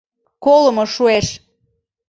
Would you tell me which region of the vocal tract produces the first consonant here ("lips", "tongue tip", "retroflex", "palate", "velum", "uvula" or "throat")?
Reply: velum